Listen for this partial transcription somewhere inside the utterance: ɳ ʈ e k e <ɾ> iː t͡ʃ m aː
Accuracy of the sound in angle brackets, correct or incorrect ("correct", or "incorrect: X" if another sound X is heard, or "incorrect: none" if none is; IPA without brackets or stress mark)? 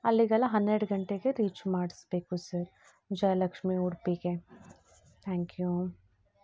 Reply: correct